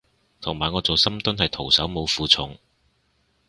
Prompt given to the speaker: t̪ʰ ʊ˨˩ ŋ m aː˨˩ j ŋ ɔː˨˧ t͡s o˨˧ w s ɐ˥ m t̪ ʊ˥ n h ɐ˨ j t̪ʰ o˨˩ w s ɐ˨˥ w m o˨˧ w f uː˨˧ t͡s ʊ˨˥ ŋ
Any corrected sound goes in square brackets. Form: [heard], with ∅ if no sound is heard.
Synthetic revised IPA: t̪ʰ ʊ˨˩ ŋ m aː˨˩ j ŋ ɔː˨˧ t͡s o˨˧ w s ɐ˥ m t̪ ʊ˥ n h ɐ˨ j t̪ʰ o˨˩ w s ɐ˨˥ w m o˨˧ w f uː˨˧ [t͡sʰ] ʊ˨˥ ŋ